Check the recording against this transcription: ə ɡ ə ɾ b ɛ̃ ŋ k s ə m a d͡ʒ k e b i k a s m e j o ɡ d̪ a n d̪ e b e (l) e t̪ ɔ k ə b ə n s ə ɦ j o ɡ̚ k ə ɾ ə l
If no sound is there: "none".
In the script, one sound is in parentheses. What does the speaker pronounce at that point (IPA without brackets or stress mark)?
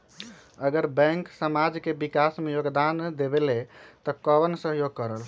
l